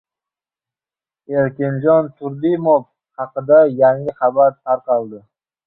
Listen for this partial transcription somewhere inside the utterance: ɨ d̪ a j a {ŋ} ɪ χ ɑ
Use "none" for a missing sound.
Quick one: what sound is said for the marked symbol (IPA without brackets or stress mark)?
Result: ŋ